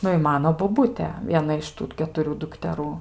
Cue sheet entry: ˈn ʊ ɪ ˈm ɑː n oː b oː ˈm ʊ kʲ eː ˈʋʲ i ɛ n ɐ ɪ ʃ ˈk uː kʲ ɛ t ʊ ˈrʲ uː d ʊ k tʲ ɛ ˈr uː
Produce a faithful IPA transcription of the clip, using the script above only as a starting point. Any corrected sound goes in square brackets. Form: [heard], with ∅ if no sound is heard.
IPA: ˈn ʊ ɪ ˈm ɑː n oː b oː [ˈb] ʊ [tʲ] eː ˈʋʲ i ɛ n ɐ ɪ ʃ [ˈt] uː kʲ ɛ t ʊ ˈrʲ uː d ʊ k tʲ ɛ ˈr uː